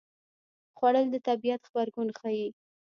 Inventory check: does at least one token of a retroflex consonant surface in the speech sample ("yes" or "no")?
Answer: yes